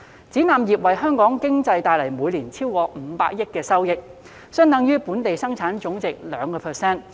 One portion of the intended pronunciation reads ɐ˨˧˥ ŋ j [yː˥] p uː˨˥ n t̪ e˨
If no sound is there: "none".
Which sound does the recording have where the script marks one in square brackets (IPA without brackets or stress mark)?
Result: yː˥